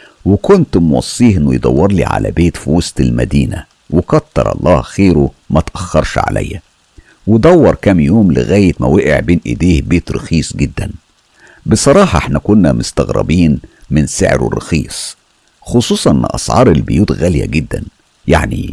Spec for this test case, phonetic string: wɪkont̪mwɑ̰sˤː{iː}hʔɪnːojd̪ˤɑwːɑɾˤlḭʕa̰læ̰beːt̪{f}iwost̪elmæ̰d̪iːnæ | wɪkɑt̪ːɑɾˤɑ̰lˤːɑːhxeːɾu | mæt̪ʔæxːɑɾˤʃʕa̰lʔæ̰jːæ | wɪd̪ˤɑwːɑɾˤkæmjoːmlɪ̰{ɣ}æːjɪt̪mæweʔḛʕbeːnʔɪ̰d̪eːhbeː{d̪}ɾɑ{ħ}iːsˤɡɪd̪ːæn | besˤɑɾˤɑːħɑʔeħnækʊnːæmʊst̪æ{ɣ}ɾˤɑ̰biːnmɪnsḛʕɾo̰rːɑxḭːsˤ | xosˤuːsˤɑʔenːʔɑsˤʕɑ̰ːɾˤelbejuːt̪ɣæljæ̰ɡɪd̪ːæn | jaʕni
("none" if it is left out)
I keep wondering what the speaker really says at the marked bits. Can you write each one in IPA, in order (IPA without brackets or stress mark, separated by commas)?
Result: iː, f, ɣ, t̪, x, ɣ